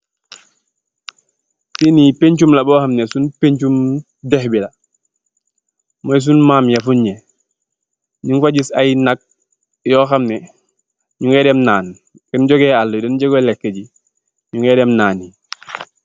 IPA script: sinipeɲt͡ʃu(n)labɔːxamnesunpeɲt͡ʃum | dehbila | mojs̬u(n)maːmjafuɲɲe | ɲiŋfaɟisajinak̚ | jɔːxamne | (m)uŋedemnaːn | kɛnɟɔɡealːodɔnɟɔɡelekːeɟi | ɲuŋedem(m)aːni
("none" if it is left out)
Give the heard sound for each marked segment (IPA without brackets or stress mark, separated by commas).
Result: m, n, ɲ, n